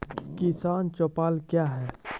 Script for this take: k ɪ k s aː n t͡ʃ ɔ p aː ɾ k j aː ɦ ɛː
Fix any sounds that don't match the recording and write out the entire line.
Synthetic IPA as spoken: k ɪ s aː n t͡ʃ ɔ p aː l k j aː ɦ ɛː